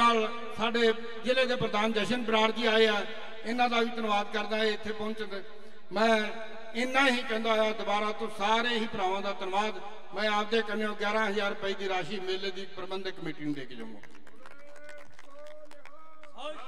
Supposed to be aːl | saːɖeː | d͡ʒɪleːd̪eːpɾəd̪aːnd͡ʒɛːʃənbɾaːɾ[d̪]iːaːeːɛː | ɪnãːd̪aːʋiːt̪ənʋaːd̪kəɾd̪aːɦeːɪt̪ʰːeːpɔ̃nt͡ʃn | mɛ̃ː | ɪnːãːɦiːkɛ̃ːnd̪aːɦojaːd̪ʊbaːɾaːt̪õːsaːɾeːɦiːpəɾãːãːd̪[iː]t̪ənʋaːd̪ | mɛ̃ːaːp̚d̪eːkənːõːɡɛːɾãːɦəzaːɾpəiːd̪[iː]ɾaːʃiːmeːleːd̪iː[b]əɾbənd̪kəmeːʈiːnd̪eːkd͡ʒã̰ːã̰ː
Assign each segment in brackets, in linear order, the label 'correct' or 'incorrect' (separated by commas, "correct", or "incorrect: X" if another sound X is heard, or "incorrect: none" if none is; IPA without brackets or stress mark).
correct, incorrect: aː, correct, incorrect: p